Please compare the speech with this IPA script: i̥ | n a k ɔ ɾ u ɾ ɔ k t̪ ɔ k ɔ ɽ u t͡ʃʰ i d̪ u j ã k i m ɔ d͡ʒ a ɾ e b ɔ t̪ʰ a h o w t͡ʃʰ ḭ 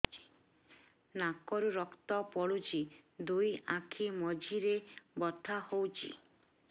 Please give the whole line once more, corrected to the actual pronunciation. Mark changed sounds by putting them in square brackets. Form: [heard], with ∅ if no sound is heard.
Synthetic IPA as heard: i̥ | n a k ɔ ɾ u ɾ ɔ k t̪ ɔ [p] ɔ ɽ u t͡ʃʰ i d̪ u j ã [kʰ] i m ɔ d͡ʒ [i] ɾ e b ɔ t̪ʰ a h o w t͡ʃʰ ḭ

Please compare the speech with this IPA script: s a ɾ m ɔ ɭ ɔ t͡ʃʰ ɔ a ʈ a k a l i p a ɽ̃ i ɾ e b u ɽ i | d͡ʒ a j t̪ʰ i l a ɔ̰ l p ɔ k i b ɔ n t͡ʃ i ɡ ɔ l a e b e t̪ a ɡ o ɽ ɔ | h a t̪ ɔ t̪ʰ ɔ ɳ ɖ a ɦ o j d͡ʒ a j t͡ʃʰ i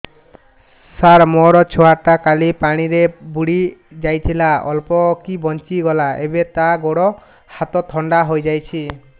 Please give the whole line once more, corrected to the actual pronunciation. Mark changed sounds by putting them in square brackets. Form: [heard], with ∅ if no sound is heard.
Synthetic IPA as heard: s a ɾ m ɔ [ɾ] ɔ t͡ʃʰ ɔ a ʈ a k a l i p a ɽ̃ i ɾ e b u ɽ i | d͡ʒ a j t̪ʰ i l a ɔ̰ l p ɔ k i b ɔ n t͡ʃ i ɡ ɔ l a e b e t̪ a ɡ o ɽ ɔ | h a t̪ ɔ t̪ʰ ɔ ɳ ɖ a ɦ o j d͡ʒ a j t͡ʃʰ i

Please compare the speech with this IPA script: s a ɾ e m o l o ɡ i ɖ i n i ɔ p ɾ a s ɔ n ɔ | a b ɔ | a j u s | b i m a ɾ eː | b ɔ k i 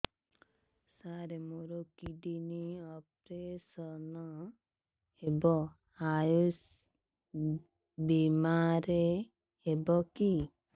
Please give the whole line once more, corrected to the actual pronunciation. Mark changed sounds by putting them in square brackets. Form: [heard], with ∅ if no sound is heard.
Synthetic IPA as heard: s a ɾ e m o [ɾ] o [k] i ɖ i n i ɔ p ɾ [e] s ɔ n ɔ | [e] b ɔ | a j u s | b i m a ɾ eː | b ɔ k i

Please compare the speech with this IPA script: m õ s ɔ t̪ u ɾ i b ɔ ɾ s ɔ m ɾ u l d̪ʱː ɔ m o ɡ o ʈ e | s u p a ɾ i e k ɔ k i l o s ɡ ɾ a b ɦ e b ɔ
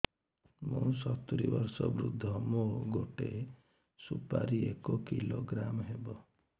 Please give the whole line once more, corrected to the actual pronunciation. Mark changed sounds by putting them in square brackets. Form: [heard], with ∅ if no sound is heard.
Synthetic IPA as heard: m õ s ɔ t̪ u ɾ i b ɔ ɾ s ɔ [b] ɾ u [∅] d̪ʱː ɔ m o ɡ o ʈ e | s u p a ɾ i e k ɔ k i l o [∅] ɡ ɾ a [m] ɦ e b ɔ

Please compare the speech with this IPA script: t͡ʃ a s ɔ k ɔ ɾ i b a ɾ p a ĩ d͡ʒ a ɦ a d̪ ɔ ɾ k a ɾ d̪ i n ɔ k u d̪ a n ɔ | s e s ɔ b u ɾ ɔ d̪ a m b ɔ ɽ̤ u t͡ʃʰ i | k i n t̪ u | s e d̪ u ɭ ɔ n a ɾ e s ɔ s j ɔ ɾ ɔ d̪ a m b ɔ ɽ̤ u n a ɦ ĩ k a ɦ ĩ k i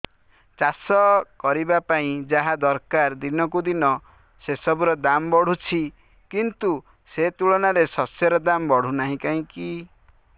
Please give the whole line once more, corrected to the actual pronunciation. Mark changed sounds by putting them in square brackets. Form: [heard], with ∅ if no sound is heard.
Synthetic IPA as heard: t͡ʃ a s ɔ k ɔ ɾ i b a [∅] p a ĩ d͡ʒ a ɦ a d̪ ɔ ɾ k a ɾ d̪ i n ɔ k u d̪ [i] n ɔ | s e s ɔ b u ɾ ɔ d̪ a m b ɔ ɽ̤ u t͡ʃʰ i | k i n t̪ u | s e [t̪] u ɭ ɔ n a ɾ e s ɔ s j ɔ ɾ ɔ d̪ a m b ɔ ɽ̤ u n a ɦ ĩ k a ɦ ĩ k i

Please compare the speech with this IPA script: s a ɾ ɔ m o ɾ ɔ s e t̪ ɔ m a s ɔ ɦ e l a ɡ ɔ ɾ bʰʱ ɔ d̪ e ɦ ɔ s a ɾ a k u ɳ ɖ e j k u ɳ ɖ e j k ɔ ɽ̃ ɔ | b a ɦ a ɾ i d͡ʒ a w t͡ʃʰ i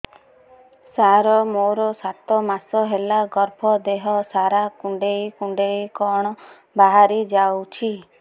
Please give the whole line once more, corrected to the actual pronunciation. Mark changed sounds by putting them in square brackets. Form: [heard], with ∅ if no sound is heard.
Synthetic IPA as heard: s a ɾ ɔ m o ɾ ɔ s [a] t̪ ɔ m a s ɔ ɦ e l a ɡ ɔ ɾ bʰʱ ɔ d̪ e ɦ ɔ s a ɾ a k u ɳ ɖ e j k u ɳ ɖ e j k ɔ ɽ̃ ɔ | b a ɦ a ɾ i d͡ʒ a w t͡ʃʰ i

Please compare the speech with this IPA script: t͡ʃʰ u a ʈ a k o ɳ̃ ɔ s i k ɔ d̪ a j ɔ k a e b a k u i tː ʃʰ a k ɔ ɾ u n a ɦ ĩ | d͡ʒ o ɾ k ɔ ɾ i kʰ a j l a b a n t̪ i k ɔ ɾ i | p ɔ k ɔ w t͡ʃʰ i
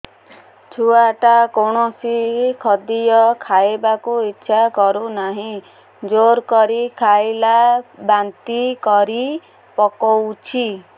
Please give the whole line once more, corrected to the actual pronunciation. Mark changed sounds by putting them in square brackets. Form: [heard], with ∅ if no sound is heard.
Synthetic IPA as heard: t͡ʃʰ u a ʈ a k o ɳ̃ ɔ s i [kʰ] ɔ d̪ [i] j ɔ [kʰ] a e b a k u i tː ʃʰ a k ɔ ɾ u n a ɦ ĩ | d͡ʒ o ɾ k ɔ ɾ i kʰ a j l a b a n t̪ i k ɔ ɾ i | p ɔ k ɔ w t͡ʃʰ i

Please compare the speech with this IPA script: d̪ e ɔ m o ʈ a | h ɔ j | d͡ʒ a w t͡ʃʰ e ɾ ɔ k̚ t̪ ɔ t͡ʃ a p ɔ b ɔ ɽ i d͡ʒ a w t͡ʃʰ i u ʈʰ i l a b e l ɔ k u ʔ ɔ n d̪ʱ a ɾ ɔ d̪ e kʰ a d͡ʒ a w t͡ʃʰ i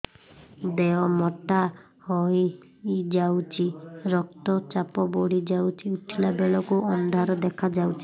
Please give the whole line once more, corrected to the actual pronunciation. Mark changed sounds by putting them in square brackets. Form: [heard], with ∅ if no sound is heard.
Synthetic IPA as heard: d̪ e ɔ m [ɔ] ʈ a | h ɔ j | d͡ʒ a w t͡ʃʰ [i] ɾ ɔ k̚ t̪ ɔ t͡ʃ a p ɔ b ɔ ɽ i d͡ʒ a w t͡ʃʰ i u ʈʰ i l a b e [ɭ] ɔ k u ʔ ɔ n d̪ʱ a ɾ ɔ d̪ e kʰ a d͡ʒ a w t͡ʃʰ i

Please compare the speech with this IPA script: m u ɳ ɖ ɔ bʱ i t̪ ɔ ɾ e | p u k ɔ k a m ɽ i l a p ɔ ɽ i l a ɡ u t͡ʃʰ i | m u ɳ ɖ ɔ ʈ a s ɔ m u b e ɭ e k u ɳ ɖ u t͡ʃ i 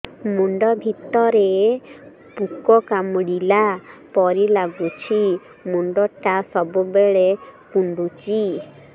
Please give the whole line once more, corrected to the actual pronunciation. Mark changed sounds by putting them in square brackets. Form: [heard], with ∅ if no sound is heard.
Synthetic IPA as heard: m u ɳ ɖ ɔ bʱ i t̪ ɔ ɾ e | p u k ɔ k a m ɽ i l a p ɔ [ɾ] i l a ɡ u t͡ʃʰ i | m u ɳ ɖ ɔ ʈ a s ɔ [b] u b e ɭ e k u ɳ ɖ u t͡ʃ i

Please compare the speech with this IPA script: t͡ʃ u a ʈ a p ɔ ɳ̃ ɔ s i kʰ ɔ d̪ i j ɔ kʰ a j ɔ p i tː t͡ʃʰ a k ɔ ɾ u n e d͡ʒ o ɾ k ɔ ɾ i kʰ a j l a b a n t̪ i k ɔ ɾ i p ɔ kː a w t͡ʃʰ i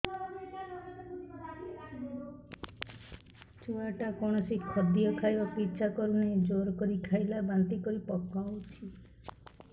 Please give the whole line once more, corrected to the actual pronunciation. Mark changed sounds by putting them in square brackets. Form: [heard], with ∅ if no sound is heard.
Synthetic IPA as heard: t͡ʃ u a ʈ a [k] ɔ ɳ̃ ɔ s i kʰ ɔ d̪ i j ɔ kʰ a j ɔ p i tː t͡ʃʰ a k ɔ ɾ u n e d͡ʒ o ɾ k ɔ ɾ i kʰ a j l a b a n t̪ i k ɔ ɾ i p ɔ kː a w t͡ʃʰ i

